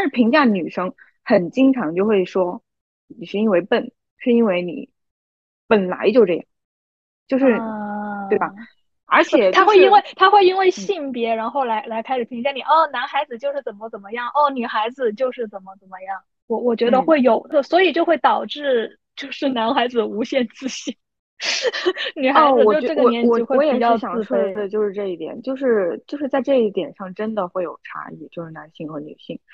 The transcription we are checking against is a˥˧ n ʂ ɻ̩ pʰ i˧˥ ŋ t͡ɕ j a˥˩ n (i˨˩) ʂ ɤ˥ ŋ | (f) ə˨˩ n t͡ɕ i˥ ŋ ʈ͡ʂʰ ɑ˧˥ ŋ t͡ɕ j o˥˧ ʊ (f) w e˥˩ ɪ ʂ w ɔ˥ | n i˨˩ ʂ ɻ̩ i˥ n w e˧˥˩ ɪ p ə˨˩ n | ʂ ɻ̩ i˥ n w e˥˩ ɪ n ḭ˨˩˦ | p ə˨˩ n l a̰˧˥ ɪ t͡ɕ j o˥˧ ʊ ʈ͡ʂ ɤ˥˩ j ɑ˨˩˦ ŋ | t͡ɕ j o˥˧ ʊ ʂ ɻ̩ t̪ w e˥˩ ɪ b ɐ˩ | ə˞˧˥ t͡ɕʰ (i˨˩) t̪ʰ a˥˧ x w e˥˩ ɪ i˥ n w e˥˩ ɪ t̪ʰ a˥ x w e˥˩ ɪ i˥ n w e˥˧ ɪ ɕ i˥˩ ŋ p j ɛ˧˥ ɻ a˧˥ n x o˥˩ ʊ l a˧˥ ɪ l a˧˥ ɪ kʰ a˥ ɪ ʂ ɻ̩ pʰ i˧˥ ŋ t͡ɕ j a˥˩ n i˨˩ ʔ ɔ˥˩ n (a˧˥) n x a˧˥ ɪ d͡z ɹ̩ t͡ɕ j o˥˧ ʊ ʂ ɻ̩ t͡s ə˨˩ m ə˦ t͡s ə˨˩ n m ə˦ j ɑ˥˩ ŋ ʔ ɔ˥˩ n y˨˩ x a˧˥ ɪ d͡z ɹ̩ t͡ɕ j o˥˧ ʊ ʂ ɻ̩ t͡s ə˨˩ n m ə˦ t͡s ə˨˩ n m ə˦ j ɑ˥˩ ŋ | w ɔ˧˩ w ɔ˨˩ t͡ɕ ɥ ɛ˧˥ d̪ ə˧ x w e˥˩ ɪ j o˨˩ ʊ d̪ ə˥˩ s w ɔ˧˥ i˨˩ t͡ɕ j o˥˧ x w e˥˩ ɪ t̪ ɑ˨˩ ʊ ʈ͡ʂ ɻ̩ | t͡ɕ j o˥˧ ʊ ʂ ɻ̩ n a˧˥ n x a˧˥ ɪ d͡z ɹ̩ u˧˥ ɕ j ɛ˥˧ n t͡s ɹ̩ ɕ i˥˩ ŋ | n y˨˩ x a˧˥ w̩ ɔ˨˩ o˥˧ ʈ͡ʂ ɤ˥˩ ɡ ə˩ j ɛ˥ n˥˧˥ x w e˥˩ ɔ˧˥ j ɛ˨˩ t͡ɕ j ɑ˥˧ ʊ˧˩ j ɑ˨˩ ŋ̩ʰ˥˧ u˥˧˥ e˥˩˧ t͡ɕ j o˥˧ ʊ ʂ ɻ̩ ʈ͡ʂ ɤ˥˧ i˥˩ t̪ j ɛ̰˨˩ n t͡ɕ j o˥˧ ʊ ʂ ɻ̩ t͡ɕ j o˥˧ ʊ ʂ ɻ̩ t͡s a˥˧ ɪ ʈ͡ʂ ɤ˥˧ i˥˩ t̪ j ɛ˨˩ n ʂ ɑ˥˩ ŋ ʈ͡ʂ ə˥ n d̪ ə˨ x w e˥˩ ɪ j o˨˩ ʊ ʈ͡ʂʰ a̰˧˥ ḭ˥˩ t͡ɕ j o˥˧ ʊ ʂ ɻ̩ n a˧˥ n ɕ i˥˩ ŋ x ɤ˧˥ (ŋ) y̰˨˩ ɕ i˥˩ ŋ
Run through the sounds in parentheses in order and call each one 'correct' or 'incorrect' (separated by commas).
incorrect, incorrect, incorrect, incorrect, correct, incorrect